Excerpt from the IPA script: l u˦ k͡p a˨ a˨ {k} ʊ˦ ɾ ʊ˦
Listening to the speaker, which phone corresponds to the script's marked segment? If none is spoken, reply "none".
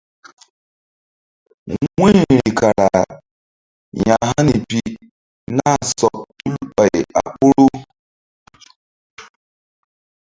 k͡p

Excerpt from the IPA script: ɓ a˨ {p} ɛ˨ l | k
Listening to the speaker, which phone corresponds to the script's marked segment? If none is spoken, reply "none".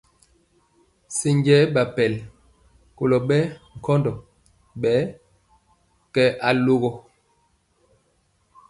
p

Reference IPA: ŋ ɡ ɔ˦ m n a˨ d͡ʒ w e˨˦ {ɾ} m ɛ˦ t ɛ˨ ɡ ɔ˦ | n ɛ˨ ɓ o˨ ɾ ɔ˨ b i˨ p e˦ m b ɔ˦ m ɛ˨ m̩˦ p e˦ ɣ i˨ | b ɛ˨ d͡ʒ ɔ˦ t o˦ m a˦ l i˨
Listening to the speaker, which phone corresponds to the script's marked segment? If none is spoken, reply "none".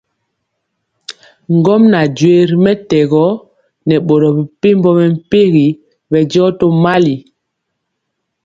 ɾ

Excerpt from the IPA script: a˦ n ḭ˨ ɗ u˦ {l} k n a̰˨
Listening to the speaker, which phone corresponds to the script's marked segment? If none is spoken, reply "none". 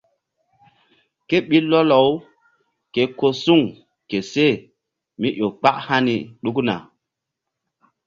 none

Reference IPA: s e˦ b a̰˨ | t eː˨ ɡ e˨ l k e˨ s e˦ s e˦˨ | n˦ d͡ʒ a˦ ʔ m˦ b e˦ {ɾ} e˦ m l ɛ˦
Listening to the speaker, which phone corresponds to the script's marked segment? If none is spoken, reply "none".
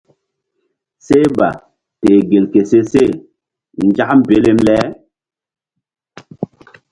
l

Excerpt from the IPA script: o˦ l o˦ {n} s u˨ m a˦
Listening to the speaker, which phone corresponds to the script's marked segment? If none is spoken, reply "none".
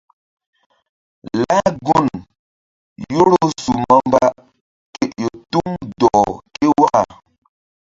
none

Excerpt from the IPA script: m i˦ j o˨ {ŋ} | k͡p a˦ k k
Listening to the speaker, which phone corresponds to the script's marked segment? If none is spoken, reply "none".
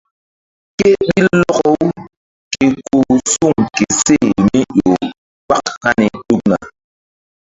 none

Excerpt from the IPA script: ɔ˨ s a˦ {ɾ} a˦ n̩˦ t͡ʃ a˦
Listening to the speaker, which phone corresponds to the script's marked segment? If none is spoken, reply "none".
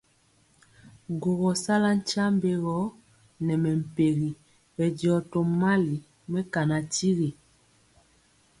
l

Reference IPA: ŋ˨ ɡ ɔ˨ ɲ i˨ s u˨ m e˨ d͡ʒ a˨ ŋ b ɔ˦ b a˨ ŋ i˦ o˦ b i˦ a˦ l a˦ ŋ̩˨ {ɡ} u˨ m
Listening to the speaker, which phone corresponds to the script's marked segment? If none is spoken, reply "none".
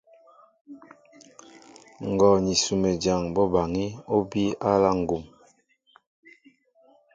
ɡ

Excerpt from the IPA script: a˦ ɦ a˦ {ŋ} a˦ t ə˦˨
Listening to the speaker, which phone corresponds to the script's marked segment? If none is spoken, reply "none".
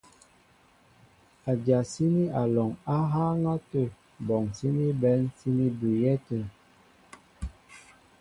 ŋ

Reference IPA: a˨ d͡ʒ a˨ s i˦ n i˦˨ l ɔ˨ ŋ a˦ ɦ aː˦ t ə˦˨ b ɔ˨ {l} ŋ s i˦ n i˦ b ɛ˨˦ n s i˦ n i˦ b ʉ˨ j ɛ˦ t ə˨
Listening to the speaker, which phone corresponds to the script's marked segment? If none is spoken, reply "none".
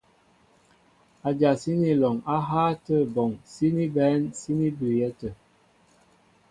none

